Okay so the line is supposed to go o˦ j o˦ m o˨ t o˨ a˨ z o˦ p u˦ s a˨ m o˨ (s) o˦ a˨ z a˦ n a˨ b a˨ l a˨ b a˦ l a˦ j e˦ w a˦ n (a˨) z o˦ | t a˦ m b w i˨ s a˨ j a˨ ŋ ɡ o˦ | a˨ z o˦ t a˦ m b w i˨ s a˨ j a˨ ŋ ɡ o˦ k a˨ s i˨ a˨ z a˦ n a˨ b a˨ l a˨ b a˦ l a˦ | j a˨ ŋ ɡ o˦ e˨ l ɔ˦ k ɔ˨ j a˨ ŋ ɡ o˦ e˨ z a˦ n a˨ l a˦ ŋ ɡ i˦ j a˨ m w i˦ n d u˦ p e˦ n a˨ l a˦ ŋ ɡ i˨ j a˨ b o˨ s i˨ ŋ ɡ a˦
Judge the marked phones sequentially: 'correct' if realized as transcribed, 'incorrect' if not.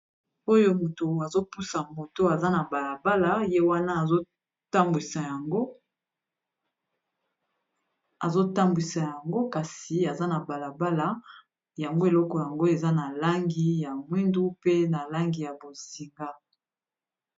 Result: incorrect: t, incorrect: a˦˨

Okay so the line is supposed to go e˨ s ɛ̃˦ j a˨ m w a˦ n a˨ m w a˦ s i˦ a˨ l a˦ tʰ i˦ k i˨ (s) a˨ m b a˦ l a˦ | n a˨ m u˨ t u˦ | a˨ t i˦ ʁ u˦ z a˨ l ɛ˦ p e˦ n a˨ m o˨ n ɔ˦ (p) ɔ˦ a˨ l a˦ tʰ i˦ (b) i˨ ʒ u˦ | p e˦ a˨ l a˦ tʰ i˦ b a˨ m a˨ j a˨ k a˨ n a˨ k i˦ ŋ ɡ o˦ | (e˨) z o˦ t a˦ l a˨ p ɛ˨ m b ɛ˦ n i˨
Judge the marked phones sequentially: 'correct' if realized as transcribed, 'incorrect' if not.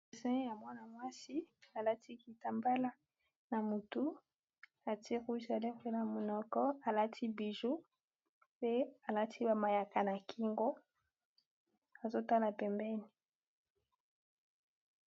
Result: incorrect: t, incorrect: k, correct, incorrect: a˨

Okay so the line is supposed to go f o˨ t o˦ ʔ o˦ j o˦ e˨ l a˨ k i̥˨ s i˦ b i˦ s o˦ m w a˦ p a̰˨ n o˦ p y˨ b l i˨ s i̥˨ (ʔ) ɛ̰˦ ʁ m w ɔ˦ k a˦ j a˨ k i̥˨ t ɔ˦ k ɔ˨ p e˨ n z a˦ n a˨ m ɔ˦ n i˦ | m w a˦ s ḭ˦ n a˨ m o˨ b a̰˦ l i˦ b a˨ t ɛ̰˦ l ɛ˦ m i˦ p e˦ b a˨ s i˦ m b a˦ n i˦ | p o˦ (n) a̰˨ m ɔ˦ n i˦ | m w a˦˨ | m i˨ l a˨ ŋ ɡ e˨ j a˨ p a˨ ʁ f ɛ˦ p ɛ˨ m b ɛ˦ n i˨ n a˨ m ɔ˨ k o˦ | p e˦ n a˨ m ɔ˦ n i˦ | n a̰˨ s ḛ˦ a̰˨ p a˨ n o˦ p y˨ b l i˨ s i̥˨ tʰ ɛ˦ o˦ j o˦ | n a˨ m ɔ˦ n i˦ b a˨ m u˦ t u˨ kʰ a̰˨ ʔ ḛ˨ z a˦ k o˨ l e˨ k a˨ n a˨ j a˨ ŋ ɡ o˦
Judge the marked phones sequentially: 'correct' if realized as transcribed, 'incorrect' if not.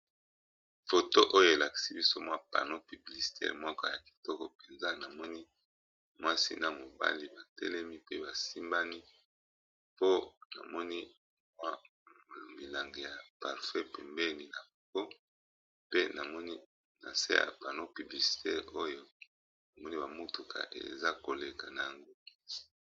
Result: incorrect: t, correct

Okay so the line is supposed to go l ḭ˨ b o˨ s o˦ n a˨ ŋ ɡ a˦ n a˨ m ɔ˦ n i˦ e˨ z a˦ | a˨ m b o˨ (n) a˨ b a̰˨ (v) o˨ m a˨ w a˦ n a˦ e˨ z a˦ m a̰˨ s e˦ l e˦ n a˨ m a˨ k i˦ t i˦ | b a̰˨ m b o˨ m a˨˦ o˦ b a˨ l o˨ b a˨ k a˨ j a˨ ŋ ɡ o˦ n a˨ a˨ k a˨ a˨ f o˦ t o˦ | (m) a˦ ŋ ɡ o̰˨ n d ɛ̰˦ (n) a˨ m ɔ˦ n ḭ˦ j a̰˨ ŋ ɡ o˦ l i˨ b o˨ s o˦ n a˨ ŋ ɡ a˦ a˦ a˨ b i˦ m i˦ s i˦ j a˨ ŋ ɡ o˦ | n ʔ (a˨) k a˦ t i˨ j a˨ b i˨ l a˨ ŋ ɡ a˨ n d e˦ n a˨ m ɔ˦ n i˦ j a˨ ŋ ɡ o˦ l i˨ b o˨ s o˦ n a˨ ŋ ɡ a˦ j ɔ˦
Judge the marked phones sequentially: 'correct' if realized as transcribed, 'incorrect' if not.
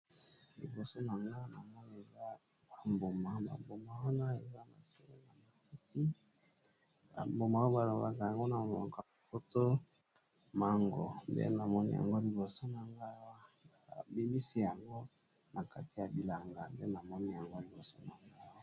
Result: incorrect: m, incorrect: b, correct, correct, correct

